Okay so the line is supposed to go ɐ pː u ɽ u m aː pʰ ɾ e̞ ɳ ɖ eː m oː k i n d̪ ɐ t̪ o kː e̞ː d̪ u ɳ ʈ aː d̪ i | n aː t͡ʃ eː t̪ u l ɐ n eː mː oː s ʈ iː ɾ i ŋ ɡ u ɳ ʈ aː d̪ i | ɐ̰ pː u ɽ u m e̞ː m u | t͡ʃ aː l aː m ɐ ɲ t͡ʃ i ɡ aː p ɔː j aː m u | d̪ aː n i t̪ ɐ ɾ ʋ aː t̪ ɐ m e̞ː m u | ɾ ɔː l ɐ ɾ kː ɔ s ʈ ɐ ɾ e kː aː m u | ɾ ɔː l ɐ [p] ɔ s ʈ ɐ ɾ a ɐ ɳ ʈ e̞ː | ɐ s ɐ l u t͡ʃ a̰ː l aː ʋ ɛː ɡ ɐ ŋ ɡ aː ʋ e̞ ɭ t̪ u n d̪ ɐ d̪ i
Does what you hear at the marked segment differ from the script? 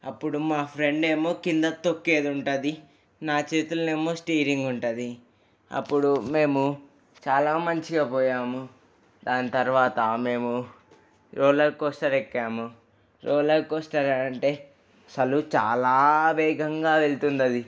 yes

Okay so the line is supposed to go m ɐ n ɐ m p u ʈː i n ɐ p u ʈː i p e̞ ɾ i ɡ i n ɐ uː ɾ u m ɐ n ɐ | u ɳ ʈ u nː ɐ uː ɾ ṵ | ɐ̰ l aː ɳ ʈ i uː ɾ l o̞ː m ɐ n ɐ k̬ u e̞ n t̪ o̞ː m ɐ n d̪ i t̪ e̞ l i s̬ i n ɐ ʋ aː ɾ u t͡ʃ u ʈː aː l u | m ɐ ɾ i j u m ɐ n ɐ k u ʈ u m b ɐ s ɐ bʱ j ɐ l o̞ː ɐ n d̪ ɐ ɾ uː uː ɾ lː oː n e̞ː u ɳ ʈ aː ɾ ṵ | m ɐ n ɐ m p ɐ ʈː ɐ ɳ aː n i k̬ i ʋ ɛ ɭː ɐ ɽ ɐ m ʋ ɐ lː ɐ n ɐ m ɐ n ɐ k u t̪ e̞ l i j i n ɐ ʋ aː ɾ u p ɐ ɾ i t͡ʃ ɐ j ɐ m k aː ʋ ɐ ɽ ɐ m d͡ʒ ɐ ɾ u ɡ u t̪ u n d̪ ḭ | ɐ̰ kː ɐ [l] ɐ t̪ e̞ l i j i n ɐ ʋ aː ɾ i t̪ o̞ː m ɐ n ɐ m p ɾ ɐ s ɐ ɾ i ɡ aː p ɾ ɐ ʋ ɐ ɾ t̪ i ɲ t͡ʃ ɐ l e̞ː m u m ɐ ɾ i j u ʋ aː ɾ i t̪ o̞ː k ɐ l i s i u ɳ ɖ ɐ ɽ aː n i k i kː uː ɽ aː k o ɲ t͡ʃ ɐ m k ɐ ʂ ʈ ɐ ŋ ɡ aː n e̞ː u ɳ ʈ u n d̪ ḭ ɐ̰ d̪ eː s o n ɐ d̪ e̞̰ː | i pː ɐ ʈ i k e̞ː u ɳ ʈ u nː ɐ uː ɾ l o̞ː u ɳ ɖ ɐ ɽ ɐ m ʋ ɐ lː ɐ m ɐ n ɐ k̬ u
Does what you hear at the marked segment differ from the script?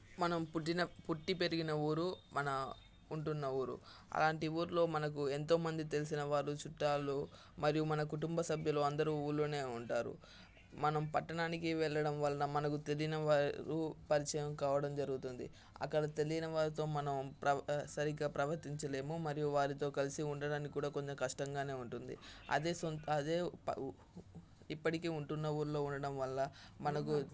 yes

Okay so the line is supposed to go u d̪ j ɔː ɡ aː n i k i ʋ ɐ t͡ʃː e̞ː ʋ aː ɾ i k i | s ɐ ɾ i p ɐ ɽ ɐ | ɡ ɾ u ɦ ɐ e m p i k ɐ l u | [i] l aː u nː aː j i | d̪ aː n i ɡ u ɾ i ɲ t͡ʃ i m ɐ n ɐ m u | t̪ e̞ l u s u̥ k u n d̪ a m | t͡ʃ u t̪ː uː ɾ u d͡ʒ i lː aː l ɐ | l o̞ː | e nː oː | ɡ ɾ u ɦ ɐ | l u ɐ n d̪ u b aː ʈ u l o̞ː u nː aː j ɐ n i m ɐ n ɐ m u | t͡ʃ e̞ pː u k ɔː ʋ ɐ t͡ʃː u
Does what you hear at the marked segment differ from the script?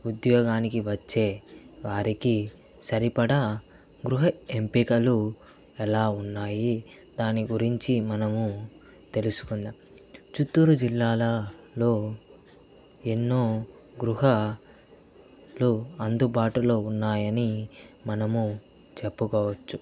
yes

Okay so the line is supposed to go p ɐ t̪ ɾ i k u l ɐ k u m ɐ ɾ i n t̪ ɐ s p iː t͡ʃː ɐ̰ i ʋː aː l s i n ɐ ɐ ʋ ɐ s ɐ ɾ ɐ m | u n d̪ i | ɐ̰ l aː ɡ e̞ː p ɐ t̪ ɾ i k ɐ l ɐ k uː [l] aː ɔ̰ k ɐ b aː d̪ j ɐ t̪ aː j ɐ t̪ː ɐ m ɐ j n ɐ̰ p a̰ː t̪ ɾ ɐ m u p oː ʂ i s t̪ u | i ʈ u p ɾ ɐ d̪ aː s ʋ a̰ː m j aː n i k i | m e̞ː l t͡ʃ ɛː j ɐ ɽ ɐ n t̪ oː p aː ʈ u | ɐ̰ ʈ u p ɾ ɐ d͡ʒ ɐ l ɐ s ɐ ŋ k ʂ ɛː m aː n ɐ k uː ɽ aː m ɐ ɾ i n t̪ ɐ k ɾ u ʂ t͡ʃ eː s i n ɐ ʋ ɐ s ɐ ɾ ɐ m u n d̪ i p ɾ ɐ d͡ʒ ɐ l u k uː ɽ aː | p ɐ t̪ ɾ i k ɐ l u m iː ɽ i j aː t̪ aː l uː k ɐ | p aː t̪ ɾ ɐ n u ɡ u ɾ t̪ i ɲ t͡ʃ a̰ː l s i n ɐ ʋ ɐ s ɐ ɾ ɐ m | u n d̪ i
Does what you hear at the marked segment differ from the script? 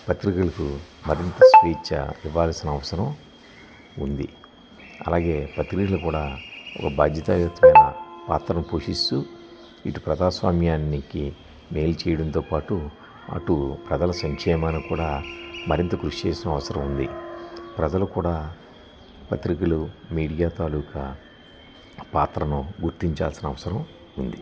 yes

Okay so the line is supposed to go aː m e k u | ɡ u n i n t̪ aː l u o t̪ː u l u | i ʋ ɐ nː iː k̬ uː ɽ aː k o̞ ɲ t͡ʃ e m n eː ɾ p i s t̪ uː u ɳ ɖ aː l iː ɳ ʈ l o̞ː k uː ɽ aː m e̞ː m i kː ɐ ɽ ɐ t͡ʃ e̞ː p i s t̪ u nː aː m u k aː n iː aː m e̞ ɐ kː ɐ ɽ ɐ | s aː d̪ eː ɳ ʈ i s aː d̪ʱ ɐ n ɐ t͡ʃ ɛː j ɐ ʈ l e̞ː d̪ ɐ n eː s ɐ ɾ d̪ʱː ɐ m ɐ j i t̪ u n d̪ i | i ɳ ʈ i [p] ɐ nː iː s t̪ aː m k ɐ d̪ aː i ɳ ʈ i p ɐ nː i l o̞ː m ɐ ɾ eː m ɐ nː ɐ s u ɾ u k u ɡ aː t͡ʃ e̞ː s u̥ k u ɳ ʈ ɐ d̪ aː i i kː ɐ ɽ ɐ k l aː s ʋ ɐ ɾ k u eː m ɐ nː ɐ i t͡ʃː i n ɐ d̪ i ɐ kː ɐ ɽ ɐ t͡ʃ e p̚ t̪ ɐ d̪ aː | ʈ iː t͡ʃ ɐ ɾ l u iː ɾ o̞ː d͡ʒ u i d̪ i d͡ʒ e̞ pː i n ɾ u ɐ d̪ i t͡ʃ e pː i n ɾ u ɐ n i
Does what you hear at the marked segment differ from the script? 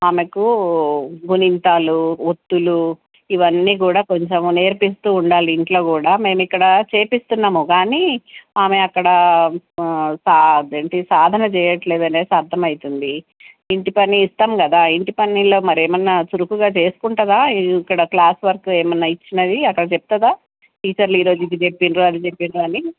no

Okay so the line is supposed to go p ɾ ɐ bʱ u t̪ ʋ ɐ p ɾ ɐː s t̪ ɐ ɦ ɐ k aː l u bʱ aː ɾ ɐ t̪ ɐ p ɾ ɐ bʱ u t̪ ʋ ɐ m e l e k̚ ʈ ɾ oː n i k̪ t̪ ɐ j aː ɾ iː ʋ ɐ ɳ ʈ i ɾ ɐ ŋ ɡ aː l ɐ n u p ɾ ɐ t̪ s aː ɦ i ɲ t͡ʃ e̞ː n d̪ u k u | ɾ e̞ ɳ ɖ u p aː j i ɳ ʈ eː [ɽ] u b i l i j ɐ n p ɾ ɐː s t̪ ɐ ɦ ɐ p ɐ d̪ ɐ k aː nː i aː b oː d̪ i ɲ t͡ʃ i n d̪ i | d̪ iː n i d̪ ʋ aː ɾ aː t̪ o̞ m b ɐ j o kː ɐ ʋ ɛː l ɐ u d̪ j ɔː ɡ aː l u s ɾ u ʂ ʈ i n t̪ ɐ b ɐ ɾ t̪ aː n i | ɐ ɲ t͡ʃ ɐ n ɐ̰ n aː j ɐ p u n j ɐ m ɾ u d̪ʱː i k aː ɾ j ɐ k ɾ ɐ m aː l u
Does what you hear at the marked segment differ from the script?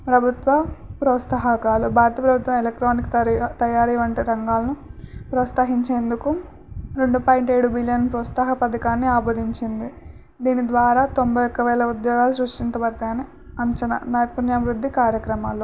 no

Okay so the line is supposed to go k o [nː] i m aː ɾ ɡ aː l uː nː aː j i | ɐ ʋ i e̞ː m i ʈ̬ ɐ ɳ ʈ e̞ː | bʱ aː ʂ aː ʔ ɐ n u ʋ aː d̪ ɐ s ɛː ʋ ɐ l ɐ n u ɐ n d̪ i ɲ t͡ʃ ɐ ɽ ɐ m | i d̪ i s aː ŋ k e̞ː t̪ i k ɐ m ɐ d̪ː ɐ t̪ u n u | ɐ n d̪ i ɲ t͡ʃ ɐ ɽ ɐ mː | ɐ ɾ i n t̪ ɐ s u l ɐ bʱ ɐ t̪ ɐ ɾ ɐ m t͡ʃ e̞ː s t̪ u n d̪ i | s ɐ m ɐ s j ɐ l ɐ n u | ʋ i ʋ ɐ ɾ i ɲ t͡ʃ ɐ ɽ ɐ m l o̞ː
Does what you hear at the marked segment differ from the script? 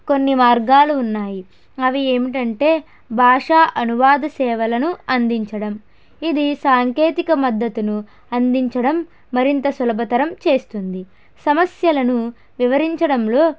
no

